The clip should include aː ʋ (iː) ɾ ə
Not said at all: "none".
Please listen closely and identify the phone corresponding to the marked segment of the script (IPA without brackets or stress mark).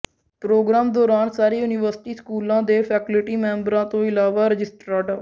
aː